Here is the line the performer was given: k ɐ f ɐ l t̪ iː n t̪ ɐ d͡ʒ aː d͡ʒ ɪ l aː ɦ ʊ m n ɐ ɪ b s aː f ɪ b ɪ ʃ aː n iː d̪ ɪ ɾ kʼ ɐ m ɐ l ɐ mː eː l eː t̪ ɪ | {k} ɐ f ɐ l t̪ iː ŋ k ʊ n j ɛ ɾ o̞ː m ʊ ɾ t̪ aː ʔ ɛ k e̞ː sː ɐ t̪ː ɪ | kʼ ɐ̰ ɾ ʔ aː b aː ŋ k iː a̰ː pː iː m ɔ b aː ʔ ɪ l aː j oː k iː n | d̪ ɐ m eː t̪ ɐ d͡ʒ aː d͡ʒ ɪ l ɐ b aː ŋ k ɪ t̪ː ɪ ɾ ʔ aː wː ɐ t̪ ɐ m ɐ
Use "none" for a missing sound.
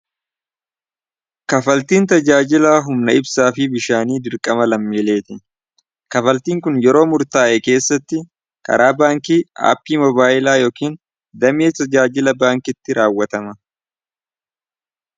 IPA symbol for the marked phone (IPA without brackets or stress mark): k